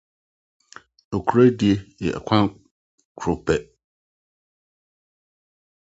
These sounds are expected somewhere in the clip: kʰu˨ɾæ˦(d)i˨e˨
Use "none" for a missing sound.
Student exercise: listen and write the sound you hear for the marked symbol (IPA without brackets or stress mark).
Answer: d